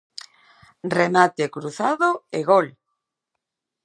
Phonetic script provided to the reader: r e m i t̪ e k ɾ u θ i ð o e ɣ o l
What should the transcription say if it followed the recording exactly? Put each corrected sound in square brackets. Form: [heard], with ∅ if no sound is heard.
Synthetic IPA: r e m [a] t̪ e k ɾ u θ [a] ð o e ɣ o l